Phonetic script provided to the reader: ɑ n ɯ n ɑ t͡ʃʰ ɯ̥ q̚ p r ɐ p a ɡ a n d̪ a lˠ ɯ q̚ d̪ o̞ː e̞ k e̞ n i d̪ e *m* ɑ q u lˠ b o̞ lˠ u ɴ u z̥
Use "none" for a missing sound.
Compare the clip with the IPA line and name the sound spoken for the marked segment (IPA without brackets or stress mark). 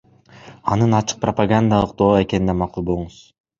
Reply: m